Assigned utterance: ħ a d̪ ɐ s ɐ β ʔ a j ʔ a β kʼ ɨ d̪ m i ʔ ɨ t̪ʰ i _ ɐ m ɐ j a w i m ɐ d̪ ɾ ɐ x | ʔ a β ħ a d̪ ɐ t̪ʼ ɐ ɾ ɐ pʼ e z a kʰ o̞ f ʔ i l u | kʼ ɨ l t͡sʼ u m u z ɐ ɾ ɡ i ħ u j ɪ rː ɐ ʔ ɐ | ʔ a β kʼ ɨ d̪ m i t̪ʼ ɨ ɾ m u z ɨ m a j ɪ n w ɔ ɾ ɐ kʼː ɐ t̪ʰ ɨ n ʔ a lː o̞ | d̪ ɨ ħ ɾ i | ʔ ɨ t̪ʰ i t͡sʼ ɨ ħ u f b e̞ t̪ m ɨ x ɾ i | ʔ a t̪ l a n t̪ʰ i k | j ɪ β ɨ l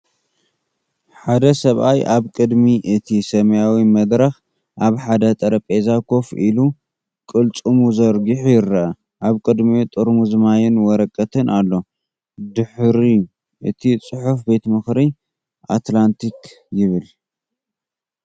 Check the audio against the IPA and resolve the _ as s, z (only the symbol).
s